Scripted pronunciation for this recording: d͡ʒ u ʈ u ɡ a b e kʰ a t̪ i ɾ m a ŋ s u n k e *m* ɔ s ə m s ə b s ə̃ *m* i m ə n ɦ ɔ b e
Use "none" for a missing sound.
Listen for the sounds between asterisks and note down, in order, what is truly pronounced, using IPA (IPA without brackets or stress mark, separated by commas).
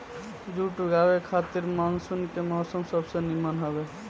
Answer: m, n